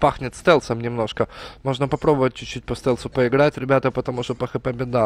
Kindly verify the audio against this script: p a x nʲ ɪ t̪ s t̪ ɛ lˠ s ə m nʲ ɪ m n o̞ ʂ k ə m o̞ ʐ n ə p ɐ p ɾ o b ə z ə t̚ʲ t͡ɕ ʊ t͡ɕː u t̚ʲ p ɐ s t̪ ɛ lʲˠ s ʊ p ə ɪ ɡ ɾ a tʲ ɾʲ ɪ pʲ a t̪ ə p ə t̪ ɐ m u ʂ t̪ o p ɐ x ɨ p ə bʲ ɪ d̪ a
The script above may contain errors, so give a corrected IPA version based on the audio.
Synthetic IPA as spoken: p a x nʲ ɪ t̪ s t̪ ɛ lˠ s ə m nʲ ɪ m n o̞ ʂ k ə m o̞ ʐ n ə p ɐ p ɾ o b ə v ə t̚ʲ t͡ɕ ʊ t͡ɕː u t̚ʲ p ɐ s t̪ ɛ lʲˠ s ʊ p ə ɪ ɡ ɾ a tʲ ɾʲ ɪ bʲ a t̪ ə p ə t̪ ɐ m u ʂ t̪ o p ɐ x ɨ p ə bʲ ɪ d̪ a